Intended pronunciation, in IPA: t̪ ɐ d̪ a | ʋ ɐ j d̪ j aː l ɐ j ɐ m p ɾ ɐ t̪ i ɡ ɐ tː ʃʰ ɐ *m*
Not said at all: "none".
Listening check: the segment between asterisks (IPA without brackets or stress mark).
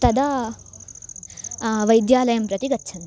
n